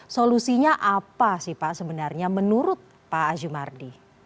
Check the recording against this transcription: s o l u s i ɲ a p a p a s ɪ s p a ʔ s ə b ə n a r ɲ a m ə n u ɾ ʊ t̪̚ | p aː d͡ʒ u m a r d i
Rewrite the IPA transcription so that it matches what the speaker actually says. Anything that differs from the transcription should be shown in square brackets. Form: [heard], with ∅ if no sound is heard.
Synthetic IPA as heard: s o l u s i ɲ a [ʔ] a p a s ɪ [h] p a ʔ s ə b ə n a r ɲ a m ə n u ɾ ʊ t̪̚ | p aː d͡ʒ u m a r d i

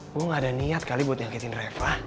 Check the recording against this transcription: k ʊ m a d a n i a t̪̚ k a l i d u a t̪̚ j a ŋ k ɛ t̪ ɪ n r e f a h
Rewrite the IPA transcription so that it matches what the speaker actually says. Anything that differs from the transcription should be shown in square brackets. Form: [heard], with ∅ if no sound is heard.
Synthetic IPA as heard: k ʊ [ŋ] a d a n i a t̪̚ k a l i [b] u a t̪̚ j a ŋ k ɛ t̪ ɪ n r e f a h

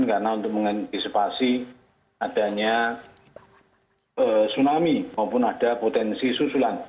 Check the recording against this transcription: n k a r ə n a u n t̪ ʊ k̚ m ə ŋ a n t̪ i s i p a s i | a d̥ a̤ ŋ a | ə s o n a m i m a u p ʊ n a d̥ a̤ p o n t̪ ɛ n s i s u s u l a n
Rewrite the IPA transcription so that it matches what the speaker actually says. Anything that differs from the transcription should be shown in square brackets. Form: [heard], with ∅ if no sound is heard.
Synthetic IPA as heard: n k a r ə n a u n t̪ ʊ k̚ m ə ŋ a n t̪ i s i p a s i | a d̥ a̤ [ɲ] a | ə s [u] n a m i m a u p ʊ n a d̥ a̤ p o [∅] t̪ ɛ n s i s u s u l a n

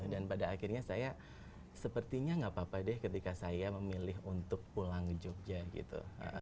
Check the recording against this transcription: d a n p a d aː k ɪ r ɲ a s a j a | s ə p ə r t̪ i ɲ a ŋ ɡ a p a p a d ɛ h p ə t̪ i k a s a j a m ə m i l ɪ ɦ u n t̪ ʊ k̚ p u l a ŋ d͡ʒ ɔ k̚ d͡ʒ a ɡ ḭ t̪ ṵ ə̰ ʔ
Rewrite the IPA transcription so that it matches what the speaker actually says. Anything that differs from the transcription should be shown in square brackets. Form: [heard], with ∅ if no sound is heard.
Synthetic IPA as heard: d a n p a d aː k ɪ r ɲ a s a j a | s ə p ə r t̪ i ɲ a ŋ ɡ a p a p a d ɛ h [k] ə t̪ i k a s a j a m ə m i l ɪ ɦ u n t̪ ʊ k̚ p u l a ŋ d͡ʒ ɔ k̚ d͡ʒ a ɡ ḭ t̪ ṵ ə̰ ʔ

